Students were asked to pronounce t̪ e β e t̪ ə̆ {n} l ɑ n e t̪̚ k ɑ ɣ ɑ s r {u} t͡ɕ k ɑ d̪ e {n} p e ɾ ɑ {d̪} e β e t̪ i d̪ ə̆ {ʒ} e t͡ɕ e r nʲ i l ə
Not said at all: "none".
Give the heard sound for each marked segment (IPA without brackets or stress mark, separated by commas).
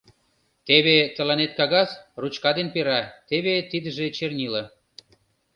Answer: none, u, n, t̪, ʒ